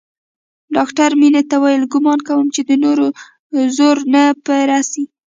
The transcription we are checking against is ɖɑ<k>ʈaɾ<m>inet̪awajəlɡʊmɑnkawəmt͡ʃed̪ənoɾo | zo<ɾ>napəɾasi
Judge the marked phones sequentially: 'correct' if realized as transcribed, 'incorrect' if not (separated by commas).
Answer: correct, correct, correct